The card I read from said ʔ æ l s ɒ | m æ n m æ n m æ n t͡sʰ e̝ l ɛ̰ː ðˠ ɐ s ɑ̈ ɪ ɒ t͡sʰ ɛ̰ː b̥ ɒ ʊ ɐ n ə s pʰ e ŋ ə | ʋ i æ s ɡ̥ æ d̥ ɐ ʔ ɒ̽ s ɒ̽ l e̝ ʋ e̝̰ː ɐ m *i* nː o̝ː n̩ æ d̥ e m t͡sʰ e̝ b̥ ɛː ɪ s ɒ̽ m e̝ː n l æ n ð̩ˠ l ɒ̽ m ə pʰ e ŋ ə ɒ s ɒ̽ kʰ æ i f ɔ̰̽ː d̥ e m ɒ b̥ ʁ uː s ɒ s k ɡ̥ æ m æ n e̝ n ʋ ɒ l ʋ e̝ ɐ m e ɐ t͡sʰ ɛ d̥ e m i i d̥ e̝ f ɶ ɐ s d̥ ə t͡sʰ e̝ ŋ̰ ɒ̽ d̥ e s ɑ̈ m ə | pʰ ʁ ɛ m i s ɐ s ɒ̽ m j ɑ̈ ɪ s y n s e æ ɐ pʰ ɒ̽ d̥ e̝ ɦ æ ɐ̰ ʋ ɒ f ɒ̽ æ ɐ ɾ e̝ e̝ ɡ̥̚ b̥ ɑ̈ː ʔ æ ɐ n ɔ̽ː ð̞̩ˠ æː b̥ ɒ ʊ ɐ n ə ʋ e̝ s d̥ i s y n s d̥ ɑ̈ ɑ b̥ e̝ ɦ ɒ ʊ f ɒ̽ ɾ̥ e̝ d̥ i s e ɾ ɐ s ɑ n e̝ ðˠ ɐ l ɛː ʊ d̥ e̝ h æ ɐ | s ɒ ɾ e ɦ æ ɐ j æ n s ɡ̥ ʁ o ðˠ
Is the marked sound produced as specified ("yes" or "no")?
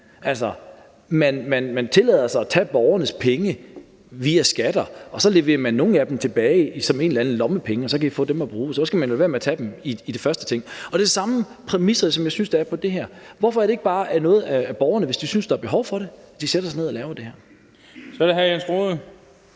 no